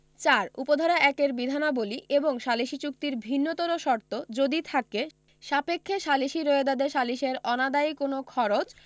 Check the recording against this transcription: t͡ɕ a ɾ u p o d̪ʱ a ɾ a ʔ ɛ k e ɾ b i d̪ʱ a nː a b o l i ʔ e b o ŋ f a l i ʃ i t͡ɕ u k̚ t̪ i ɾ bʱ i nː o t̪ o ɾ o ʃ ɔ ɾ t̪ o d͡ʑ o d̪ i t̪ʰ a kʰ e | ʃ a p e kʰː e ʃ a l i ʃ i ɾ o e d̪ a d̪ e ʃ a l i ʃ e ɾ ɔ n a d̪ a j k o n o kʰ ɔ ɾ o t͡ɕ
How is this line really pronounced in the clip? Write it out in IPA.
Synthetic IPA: t͡ɕ a ɾ u p o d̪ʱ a ɾ a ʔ ɛ k e ɾ b i d̪ʱ a n a b o l i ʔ e b o ŋ ʃ a l i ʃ i t͡ɕ u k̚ t̪ i ɾ bʱ i nː o t̪ o ɾ o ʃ ɔ ɾ t̪ o d͡ʑ o d̪ i t̪ʰ a k e | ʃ a p e kʰː e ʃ a l i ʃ i ɾ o e d̪ a d̪ e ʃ a l i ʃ e ɾ ɔ n a d̪ a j k o n o kʰ ɔ ɾ o t͡ɕ